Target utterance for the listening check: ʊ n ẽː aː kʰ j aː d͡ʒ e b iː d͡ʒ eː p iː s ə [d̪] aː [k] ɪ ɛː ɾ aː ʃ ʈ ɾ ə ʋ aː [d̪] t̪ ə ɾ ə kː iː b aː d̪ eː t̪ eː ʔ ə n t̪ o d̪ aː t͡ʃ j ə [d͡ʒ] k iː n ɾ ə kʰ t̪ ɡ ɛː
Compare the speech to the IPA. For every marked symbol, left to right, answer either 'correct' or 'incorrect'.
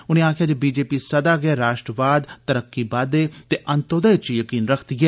correct, incorrect, correct, incorrect

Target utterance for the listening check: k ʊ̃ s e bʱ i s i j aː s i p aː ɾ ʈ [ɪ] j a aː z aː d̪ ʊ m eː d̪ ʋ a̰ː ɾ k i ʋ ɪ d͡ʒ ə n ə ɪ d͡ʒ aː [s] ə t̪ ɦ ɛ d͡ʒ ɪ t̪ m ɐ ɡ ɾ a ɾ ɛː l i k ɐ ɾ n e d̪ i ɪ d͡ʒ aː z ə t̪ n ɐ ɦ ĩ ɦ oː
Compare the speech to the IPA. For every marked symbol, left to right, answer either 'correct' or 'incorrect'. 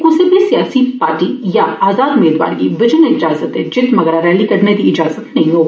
incorrect, incorrect

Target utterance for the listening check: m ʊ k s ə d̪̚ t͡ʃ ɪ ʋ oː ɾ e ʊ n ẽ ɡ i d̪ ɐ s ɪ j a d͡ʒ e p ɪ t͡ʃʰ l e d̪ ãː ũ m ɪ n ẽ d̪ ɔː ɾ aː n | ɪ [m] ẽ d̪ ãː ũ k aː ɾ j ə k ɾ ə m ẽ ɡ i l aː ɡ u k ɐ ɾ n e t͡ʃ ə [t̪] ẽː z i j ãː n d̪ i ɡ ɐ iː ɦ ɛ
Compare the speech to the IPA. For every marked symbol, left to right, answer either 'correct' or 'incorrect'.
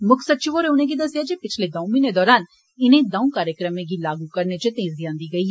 incorrect, correct

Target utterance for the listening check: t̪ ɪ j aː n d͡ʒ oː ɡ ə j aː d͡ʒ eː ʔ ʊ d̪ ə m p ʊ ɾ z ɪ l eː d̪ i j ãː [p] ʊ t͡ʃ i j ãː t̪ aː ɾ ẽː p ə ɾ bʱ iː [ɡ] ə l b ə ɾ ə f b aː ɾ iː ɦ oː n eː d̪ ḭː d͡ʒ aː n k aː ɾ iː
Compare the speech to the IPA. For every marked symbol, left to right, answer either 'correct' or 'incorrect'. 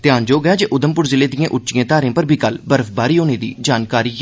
incorrect, incorrect

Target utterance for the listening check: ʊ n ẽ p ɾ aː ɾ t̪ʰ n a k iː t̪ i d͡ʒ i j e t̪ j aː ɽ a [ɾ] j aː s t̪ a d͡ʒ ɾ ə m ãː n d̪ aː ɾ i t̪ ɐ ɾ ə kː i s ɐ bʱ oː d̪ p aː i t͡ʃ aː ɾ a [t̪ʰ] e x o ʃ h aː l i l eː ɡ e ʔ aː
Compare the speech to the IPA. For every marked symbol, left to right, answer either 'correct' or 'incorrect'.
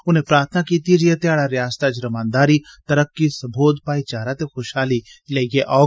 correct, incorrect

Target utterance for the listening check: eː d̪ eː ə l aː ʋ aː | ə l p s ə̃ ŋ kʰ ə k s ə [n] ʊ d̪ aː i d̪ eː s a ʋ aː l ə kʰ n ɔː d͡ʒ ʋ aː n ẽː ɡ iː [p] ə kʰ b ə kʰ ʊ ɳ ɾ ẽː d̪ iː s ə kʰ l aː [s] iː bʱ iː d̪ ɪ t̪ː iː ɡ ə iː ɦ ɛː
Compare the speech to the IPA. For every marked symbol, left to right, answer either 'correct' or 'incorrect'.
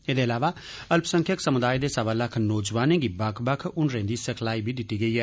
incorrect, incorrect, incorrect

